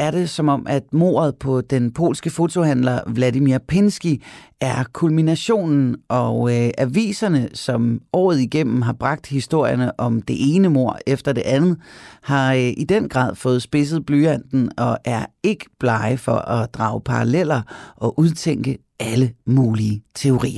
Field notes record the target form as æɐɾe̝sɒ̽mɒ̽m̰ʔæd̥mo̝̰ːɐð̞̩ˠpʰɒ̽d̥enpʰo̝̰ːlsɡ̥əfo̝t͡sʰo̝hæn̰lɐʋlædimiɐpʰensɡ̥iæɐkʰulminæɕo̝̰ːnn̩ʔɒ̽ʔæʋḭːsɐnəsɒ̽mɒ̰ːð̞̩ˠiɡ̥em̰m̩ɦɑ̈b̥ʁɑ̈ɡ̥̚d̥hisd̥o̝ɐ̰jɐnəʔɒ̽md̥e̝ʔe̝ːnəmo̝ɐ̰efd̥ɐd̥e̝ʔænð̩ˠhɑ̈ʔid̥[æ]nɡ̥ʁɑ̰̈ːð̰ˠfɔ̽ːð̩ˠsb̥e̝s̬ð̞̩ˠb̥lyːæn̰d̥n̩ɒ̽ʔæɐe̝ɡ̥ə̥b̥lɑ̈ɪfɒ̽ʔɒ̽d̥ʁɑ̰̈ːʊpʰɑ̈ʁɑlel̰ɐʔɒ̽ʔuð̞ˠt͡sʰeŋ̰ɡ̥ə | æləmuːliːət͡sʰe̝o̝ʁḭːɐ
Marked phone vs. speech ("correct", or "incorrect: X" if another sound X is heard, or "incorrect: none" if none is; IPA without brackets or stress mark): incorrect: e